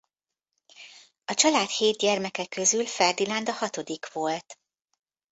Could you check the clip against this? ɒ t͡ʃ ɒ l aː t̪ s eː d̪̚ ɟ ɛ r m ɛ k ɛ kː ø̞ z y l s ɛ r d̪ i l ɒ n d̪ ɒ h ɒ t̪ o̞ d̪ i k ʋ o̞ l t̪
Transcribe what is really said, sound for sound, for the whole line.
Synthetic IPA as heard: ɒ t͡ʃ ɒ l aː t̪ h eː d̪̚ ɟ ɛ r m ɛ k ɛ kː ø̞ z y l f ɛ r d̪ i l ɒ n d̪ ɒ h ɒ t̪ o̞ d̪ i k ʋ o̞ l t̪